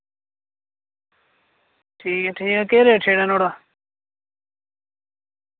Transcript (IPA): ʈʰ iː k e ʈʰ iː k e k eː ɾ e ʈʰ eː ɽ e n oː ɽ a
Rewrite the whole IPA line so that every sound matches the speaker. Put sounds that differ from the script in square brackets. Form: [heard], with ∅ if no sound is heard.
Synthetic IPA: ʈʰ iː k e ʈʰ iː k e k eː ɾ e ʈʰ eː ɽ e n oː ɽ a